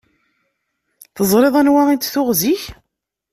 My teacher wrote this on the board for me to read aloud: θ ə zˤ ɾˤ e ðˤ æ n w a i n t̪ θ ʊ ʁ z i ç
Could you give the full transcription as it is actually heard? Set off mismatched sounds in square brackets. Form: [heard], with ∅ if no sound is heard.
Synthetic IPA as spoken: θ ə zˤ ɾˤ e ðˤ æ n w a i n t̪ θ ʊ ʁ z i ç